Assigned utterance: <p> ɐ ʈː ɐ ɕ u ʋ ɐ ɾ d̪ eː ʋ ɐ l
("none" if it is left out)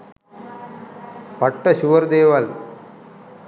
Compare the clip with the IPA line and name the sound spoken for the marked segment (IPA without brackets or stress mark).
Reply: p